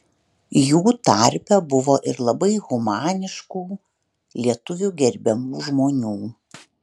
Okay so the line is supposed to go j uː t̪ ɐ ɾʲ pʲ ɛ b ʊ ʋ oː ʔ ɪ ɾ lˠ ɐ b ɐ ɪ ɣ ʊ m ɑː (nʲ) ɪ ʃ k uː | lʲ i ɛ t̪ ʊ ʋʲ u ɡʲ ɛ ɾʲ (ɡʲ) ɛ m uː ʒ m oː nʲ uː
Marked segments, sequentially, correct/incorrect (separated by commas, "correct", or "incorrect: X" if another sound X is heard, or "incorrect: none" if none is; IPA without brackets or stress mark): correct, incorrect: bʲ